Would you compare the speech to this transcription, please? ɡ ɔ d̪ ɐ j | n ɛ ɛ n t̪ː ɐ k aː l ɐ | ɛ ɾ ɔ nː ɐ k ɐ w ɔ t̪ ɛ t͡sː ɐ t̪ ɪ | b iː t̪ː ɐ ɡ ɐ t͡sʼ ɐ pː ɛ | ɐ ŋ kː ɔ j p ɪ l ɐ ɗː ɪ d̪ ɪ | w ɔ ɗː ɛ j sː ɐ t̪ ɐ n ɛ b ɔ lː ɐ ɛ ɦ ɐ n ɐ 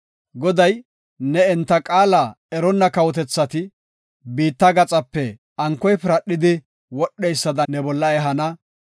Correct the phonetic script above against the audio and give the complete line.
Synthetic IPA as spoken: ɡ ɔ d̪ ɐ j | n ɛ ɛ n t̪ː ɐ kʼ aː l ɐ | ɛ ɾ ɔ nː ɐ k ɐ w ɔ t̪ ɛ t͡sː ɐ t̪ ɪ | b iː t̪ː ɐ ɡ ɐ t͡sʼ ɐ pː ɛ | ɐ ŋ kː ɔ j p ɪ ɾ ɐ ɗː ɪ d̪ ɪ | w ɔ ɗː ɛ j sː ɐ d̪ ɐ n ɛ b ɔ lː ɐ ɛ ɦ ɐ n ɐ